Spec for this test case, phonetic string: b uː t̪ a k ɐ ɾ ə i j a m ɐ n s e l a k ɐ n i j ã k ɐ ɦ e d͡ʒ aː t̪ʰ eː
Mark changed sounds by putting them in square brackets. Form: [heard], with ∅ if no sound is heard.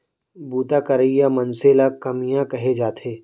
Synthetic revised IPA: b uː t̪ a k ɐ ɾ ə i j a m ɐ n s e l a k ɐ [m] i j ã k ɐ ɦ e d͡ʒ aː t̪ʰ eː